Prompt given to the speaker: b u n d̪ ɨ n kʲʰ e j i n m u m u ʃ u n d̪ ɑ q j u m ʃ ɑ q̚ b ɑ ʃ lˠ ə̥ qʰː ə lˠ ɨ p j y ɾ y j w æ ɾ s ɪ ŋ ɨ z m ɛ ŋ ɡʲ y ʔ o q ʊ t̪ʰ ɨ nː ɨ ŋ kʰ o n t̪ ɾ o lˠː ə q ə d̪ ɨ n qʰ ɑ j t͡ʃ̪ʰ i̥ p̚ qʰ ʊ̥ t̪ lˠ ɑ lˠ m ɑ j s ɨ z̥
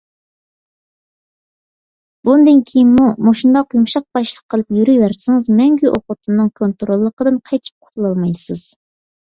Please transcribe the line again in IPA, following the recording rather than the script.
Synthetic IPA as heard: b u n d̪ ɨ n kʲʰ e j i n m u m o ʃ u n d̪ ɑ q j u m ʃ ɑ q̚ b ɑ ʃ lˠ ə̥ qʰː ə lˠ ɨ p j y ɾ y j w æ ɾ s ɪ ŋ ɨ z m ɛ ŋ ɡʲ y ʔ o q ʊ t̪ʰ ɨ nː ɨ ŋ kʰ o n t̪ ɾ o lˠː ə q ə d̪ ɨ n qʰ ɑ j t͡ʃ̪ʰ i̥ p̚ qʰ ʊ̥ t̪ lˠ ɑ lˠ m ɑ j s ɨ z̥

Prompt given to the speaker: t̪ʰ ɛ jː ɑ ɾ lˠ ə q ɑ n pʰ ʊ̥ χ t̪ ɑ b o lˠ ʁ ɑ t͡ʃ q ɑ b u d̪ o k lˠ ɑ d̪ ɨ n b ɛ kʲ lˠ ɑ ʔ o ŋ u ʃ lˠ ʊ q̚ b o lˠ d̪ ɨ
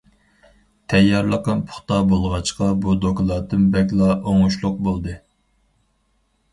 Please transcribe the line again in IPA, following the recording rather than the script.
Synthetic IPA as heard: t̪ʰ ɛ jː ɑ ɾ lˠ ə q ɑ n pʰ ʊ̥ χ t̪ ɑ b o lˠ ʁ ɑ t͡ʃ q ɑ b u d̪ o k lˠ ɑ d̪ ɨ n b ɛ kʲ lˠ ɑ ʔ o ŋ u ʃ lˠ ʊ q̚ b o lˠ d̪ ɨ

